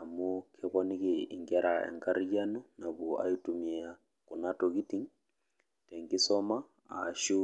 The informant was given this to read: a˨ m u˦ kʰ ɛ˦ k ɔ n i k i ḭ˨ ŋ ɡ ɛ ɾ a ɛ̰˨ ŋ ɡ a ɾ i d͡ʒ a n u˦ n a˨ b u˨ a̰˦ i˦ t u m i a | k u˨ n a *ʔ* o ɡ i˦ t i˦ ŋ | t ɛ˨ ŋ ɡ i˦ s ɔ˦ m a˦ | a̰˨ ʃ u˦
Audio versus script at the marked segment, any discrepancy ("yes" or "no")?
yes